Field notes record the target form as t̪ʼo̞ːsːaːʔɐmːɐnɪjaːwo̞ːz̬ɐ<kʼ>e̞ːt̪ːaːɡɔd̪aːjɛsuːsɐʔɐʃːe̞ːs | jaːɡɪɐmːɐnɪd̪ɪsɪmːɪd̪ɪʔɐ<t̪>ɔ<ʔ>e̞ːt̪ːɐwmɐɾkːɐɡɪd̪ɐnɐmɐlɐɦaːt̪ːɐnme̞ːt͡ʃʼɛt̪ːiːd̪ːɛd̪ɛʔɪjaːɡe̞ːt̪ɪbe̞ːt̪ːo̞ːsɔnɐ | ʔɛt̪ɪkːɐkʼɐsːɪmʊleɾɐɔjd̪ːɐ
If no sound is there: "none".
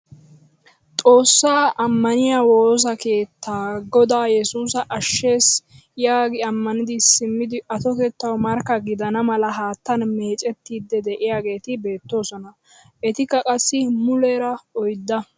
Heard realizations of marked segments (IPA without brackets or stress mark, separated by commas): k, t̪, k